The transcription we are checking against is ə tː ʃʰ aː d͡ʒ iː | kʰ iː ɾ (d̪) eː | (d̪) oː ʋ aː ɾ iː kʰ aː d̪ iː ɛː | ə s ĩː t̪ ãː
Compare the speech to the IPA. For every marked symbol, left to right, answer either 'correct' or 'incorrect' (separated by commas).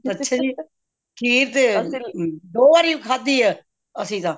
incorrect, correct